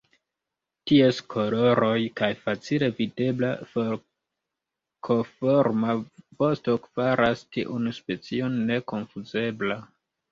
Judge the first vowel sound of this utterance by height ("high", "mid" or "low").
high